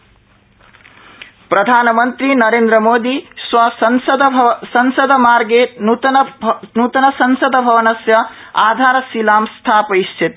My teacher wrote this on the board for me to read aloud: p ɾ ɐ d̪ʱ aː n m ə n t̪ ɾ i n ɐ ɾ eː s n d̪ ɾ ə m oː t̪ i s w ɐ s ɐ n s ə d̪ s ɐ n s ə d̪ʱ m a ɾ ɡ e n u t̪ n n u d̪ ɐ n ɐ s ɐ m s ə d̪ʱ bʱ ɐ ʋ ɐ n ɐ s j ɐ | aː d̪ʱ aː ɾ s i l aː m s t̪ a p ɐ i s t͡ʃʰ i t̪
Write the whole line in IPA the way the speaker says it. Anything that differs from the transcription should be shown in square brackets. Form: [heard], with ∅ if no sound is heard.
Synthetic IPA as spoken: p ɾ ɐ d̪ʱ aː n m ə n t̪ ɾ i n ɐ ɾ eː [∅] n d̪ ɾ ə m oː [d̪] i s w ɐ s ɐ n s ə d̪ s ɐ n s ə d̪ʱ m a ɾ ɡ e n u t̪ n n u [t̪] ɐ n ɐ s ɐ [n] s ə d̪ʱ bʱ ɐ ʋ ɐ n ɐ s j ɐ | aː d̪ʱ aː ɾ s i l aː m s [t̪ʰ] a p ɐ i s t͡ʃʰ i t̪

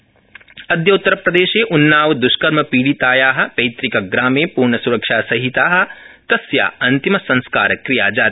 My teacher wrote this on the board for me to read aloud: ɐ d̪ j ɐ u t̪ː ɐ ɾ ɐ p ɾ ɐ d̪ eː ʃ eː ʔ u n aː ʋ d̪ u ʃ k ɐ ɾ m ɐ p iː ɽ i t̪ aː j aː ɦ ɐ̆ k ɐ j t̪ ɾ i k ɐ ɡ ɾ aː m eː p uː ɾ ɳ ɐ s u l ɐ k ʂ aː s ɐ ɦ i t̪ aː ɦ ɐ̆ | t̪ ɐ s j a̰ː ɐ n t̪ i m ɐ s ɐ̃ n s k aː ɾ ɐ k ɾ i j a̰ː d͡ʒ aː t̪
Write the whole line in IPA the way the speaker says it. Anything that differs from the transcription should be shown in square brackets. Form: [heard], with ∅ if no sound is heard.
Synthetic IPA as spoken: ɐ d̪ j ɐ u t̪ː ɐ ɾ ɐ p ɾ ɐ d̪ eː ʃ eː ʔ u [nː] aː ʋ d̪ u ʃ k ɐ ɾ m ɐ p iː ɽ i t̪ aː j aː ɦ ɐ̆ [p] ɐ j t̪ ɾ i k ɐ ɡ ɾ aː m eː p uː ɾ ɳ ɐ s u [ɾ] ɐ k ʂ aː s ɐ ɦ i t̪ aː ɦ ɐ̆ | t̪ ɐ s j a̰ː ɐ n t̪ i m ɐ s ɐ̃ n s k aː ɾ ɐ k ɾ i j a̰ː d͡ʒ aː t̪

